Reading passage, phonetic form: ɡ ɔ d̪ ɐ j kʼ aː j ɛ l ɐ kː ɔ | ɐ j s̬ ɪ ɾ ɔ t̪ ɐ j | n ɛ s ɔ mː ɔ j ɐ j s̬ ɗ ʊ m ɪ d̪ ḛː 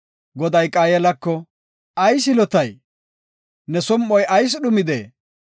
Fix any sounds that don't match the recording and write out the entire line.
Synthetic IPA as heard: ɡ ɔ d̪ ɐ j kʼ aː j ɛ l ɐ kː ɔ | ɐ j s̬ ɪ l ɔ t̪ ɐ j | n ɛ s ɔ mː ɔ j ɐ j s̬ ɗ ʊ m ɪ d̪ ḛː